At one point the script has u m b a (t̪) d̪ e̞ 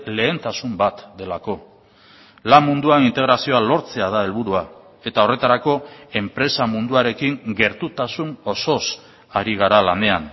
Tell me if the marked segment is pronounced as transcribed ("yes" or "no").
yes